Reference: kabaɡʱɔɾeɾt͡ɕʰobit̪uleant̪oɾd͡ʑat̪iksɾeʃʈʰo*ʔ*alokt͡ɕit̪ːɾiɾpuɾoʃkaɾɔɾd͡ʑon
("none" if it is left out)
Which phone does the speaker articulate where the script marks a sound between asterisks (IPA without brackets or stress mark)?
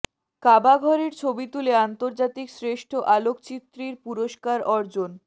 ʔ